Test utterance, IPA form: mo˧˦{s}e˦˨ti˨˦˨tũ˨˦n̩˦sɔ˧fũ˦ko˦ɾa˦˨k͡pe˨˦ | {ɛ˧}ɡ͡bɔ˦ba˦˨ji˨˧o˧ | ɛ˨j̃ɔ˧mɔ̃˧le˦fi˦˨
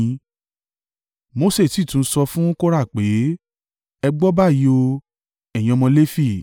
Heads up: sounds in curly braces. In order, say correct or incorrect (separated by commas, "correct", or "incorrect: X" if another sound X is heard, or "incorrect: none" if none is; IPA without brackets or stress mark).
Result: correct, correct